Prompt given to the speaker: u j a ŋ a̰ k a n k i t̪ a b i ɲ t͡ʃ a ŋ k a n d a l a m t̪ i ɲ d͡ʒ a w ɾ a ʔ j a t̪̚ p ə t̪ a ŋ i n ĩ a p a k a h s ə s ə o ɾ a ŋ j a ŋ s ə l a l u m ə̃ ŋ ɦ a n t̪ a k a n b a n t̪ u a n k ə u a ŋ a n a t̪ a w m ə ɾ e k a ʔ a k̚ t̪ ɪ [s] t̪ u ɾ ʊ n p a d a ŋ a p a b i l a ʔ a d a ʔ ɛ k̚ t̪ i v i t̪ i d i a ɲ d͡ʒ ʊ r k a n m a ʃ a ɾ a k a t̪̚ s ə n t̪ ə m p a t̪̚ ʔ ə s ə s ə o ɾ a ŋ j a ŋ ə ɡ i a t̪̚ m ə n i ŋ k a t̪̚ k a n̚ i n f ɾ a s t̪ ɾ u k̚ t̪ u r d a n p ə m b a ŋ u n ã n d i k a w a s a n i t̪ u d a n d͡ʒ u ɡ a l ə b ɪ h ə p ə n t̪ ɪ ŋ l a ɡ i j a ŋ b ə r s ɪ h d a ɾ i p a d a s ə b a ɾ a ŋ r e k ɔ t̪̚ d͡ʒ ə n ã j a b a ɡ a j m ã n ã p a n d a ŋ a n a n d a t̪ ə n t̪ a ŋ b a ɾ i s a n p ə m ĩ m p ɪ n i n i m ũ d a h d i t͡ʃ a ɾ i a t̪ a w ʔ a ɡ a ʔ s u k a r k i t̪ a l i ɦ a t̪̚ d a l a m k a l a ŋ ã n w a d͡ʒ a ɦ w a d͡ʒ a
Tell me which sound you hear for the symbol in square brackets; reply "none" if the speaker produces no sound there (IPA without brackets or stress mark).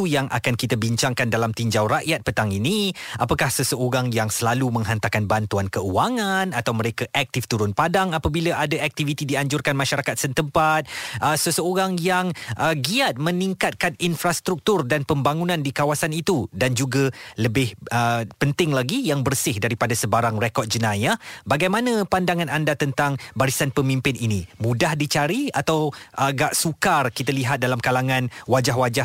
f